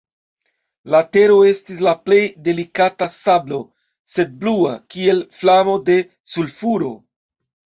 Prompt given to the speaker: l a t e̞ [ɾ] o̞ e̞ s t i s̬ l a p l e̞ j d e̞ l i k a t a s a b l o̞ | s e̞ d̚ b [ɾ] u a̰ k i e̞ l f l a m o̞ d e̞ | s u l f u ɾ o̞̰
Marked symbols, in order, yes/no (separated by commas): yes, no